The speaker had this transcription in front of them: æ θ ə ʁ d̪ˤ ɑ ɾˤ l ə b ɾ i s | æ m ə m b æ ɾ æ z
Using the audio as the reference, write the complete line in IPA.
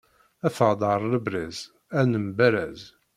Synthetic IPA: æ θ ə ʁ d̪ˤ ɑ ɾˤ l ə b ɾ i z | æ n ə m b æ ɾ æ z